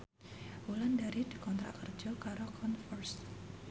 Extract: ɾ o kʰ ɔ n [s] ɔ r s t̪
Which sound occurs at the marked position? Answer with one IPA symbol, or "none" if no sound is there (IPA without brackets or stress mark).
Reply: f